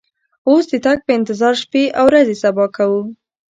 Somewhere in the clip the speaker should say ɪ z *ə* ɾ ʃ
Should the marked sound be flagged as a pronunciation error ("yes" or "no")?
yes